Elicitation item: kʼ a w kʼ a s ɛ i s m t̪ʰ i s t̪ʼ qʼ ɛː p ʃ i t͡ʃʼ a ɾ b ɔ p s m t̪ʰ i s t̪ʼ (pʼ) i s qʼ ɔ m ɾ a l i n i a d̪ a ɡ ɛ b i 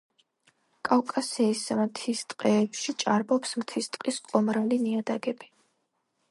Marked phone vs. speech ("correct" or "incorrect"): incorrect